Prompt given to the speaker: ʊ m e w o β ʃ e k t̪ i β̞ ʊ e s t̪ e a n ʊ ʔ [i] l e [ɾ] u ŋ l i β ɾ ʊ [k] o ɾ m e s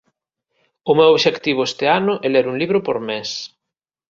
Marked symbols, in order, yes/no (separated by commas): no, yes, no